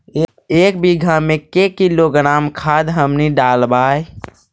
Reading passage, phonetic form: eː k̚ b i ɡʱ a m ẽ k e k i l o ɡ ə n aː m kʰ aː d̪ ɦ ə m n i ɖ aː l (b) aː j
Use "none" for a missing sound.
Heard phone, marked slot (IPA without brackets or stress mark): b